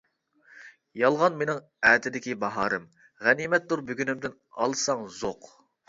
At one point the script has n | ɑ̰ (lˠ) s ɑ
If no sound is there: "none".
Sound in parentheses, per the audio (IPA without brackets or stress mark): lˠ